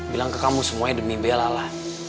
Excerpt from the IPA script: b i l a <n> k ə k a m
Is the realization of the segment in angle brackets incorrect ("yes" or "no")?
yes